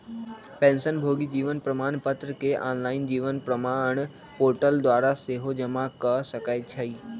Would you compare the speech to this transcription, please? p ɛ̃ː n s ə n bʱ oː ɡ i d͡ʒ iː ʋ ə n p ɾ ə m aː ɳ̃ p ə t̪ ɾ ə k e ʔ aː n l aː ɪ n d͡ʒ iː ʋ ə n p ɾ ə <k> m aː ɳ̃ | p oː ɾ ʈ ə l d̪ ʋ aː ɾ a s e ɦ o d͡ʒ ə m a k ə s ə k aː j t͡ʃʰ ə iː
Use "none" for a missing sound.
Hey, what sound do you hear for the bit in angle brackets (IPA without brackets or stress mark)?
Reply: none